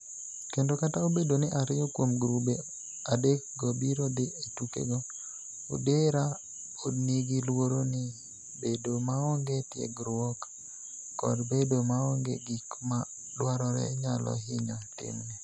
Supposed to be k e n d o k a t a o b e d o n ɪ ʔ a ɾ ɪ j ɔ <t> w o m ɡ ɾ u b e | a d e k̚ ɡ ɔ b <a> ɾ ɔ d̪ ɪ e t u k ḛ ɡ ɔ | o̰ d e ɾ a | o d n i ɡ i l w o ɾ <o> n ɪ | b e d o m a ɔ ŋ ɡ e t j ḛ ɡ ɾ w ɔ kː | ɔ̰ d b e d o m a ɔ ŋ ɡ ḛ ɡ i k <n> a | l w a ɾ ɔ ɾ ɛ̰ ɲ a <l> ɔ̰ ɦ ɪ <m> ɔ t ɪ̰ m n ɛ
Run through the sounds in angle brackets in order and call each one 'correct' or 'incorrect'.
incorrect: k, incorrect: i, correct, incorrect: m, correct, incorrect: ɲ

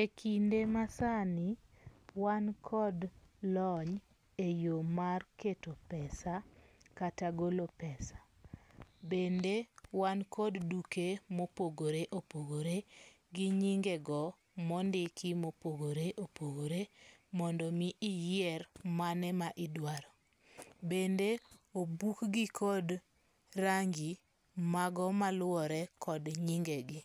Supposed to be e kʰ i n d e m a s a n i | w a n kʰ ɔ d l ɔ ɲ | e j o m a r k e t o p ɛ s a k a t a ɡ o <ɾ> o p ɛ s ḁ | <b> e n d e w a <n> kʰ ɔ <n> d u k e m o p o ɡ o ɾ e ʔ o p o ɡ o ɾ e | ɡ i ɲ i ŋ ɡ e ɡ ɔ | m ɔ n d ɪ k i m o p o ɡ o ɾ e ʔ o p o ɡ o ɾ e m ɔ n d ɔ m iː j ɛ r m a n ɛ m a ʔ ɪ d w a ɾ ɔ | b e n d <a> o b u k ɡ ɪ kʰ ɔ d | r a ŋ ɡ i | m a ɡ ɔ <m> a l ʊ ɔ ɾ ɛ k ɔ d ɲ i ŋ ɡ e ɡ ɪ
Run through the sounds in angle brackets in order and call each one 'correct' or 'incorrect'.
incorrect: l, correct, correct, incorrect: d, incorrect: e, correct

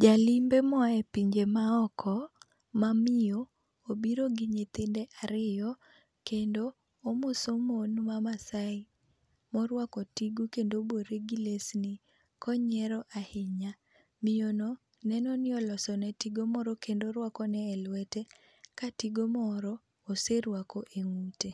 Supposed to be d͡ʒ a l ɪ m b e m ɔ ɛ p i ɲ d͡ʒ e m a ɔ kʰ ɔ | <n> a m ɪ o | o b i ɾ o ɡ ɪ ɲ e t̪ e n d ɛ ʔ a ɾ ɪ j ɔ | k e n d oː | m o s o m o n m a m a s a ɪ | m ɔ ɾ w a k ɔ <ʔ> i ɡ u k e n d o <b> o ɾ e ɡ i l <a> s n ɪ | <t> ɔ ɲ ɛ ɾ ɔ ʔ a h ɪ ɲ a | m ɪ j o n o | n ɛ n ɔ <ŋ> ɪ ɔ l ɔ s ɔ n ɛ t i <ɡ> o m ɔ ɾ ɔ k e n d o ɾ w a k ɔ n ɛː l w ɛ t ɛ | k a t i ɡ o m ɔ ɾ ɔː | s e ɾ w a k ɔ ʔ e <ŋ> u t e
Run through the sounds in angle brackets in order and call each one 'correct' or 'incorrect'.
incorrect: m, incorrect: t, correct, incorrect: e, incorrect: k, incorrect: n, correct, correct

